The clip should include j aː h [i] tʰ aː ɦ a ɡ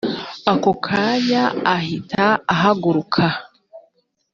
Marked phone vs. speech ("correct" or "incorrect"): correct